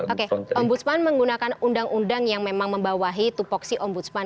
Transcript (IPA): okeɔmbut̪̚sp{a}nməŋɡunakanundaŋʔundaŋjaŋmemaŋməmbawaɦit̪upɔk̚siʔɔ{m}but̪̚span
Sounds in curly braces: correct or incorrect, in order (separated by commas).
correct, correct